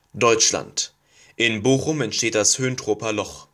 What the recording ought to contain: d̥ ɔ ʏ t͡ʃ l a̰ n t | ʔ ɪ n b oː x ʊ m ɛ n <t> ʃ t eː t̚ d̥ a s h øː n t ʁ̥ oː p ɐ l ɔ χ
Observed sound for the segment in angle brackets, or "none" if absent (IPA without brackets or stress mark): t